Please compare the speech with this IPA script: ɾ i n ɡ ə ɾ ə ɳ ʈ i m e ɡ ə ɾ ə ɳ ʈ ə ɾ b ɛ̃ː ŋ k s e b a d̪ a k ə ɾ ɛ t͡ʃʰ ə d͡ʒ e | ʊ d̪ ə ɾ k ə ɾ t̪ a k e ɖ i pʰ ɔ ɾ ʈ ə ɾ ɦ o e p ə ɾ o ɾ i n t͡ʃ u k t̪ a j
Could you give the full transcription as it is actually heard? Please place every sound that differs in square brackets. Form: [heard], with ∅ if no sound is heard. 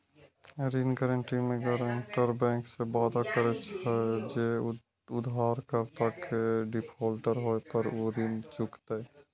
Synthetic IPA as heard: ɾ i n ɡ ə ɾ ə ɳ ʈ i m e ɡ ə ɾ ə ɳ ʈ ə ɾ b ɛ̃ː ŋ k s e b a d̪ a k ə ɾ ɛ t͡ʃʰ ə d͡ʒ e | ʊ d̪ [a] ɾ k ə ɾ t̪ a k e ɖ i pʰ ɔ [l] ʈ ə ɾ ɦ o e p ə ɾ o ɾ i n t͡ʃ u k t̪ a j